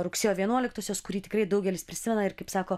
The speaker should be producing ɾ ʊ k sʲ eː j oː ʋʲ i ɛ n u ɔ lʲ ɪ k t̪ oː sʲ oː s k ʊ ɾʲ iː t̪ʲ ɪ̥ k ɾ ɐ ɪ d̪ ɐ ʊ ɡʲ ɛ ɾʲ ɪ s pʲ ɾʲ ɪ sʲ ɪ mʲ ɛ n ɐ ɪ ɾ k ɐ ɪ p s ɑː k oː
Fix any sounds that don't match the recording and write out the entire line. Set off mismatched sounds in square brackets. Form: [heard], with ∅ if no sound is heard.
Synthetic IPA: ɾ ʊ k sʲ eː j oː ʋʲ i ɛ n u ɔ lʲ ɪ k t̪ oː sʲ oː s k ʊ ɾʲ iː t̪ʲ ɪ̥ k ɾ ɐ ɪ d̪ ɐ ʊ ɡʲ ɛ [lʲ] ɪ s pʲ ɾʲ ɪ sʲ ɪ mʲ ɛ n ɐ ɪ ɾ k ɐ ɪ p s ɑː k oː